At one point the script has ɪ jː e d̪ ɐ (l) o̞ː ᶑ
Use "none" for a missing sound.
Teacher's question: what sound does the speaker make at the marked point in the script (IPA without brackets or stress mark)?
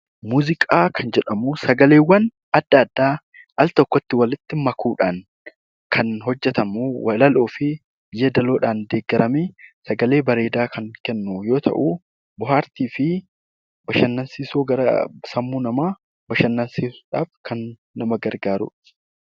l